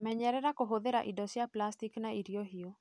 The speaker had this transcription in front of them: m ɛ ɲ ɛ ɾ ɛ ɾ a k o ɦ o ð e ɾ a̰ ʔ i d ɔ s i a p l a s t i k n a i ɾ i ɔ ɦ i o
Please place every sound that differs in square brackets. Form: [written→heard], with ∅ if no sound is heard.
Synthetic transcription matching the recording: m ɛ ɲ ɛ ɾ ɛ ɾ a k o ɦ o ð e ɾ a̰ ʔ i d ɔ s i a p l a s t i k n a i ɾ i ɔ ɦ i o